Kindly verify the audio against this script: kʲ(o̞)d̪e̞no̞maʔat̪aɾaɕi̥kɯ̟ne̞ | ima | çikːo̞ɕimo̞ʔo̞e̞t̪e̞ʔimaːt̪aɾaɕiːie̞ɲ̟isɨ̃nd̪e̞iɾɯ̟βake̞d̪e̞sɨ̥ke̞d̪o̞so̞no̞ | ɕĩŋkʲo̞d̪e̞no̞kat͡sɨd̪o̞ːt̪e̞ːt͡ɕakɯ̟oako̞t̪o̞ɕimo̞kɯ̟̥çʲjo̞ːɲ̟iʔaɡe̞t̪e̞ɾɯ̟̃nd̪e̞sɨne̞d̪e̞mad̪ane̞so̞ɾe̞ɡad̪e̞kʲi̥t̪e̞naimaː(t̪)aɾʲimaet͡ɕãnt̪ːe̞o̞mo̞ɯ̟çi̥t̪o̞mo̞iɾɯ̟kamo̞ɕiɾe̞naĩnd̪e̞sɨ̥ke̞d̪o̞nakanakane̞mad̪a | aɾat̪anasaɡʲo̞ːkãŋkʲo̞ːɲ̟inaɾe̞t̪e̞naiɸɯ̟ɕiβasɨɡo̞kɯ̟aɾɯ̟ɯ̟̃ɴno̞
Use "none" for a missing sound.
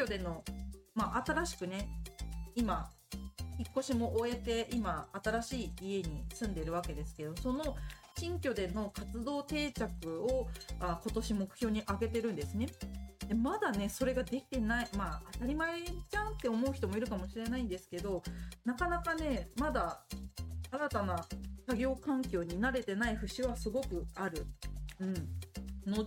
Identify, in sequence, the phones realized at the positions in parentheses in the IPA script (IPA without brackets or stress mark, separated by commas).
o̞, t̪